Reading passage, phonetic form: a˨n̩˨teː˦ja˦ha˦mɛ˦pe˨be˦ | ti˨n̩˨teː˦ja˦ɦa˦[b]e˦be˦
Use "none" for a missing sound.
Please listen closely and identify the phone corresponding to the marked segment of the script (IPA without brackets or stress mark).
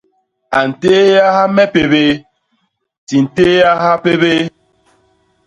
p